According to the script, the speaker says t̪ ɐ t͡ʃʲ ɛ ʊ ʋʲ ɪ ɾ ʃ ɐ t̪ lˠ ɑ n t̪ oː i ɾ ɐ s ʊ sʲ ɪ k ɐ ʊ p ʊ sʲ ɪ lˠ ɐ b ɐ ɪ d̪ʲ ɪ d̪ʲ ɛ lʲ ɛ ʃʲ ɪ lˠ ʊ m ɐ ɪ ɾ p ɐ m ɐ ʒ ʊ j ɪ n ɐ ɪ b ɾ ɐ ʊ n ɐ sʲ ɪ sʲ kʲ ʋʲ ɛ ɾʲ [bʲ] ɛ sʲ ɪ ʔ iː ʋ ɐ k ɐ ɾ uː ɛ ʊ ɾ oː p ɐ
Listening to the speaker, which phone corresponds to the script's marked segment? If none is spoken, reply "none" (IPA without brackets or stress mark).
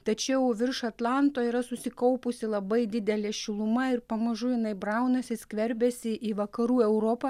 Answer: bʲ